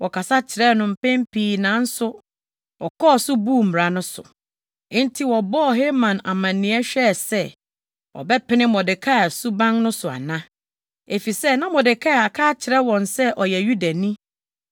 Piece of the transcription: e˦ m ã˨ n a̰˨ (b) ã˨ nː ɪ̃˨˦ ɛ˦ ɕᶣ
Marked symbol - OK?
no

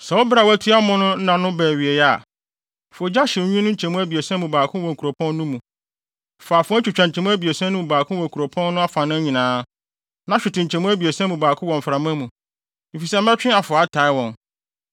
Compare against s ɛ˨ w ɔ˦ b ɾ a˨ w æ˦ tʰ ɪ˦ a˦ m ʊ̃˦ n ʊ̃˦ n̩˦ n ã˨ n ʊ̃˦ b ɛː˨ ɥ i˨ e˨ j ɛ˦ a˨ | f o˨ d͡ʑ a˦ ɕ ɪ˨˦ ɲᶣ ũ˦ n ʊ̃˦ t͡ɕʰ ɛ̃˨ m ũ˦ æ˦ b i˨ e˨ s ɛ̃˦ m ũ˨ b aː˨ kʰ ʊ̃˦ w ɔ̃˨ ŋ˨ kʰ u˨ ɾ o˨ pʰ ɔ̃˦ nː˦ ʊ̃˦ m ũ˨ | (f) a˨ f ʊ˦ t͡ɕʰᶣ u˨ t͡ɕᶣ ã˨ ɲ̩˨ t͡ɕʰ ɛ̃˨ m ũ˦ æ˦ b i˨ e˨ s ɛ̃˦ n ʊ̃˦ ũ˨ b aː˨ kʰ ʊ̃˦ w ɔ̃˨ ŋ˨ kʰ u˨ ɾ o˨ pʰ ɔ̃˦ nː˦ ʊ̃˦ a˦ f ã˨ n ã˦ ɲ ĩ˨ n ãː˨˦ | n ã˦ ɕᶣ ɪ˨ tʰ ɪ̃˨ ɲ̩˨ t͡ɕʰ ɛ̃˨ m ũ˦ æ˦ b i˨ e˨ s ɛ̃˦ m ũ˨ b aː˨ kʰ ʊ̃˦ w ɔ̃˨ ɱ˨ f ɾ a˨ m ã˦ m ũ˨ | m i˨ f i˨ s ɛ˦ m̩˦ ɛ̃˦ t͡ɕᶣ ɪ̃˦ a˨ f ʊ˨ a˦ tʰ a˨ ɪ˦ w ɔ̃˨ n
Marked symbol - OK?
yes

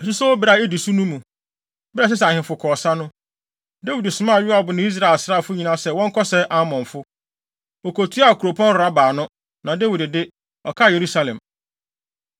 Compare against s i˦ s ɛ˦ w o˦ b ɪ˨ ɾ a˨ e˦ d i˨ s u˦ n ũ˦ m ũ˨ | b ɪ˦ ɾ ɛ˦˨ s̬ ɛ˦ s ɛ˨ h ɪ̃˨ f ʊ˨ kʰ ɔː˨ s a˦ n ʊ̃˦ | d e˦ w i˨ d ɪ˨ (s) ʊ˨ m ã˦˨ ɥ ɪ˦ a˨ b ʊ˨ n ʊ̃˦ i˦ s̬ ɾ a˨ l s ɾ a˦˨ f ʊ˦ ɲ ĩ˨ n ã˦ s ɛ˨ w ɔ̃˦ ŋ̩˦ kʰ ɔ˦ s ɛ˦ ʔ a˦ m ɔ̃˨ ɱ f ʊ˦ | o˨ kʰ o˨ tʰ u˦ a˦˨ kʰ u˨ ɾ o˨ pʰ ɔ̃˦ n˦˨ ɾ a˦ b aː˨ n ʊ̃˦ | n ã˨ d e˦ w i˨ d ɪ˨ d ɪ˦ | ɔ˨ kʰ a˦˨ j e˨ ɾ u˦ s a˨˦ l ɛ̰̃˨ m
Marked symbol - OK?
yes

